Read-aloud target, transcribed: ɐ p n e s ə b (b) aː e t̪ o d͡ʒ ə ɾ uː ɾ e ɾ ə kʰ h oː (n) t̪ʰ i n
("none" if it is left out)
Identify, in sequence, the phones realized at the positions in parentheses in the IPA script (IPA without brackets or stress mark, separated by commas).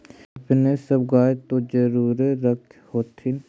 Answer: ɡ, none